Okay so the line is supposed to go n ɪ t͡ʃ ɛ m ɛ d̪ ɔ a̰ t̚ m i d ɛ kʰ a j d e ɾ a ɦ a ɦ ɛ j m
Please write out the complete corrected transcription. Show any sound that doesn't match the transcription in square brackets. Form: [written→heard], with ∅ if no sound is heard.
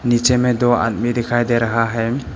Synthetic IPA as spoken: n [ɪ→i] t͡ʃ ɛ m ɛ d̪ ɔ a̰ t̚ m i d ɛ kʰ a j d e ɾ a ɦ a ɦ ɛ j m